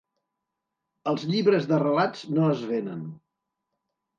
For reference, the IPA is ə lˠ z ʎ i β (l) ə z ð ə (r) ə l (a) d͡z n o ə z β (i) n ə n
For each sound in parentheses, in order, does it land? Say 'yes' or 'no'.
no, yes, yes, no

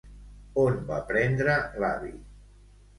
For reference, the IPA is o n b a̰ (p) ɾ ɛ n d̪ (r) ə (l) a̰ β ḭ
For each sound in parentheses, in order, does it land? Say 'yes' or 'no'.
yes, no, yes

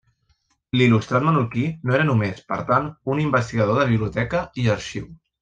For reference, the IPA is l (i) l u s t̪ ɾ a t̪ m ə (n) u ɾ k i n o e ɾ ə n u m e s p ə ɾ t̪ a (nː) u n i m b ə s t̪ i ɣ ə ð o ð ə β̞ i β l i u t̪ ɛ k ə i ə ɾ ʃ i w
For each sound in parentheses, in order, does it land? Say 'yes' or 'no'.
yes, yes, no

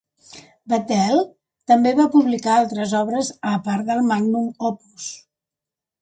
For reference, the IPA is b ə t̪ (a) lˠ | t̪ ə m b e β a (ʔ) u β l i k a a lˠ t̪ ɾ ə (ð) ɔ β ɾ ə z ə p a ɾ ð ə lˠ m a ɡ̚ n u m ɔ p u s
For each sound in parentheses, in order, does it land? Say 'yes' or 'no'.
no, no, no

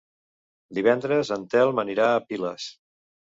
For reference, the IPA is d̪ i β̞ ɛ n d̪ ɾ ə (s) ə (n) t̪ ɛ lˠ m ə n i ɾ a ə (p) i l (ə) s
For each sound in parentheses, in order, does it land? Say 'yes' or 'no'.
no, yes, yes, yes

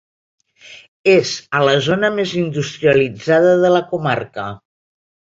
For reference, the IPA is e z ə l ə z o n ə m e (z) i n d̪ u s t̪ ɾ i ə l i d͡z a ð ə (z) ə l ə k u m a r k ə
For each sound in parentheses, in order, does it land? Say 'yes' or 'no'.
yes, no

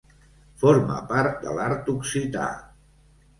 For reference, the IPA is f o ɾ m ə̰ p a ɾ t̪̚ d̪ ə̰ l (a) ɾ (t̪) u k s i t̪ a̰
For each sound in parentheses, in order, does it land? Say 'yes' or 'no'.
yes, yes

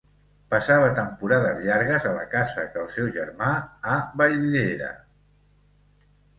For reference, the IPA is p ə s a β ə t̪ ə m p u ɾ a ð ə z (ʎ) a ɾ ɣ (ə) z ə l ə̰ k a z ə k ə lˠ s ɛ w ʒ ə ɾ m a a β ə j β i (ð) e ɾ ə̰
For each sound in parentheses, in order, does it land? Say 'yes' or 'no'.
yes, yes, yes

